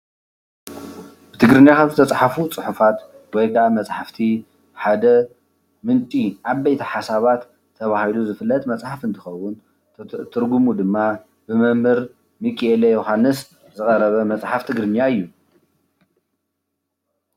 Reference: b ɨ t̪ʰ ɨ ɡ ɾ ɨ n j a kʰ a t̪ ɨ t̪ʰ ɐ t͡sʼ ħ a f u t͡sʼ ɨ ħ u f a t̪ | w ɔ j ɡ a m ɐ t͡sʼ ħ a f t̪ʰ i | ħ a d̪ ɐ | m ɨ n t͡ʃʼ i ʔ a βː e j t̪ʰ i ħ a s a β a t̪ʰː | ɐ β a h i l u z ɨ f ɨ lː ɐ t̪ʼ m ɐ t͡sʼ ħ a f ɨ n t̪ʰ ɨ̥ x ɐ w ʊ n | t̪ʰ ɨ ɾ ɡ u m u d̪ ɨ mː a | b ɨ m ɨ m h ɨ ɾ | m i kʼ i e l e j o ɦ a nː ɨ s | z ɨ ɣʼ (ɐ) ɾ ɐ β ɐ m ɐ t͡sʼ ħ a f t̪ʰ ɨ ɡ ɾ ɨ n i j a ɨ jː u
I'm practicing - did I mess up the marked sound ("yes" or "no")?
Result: no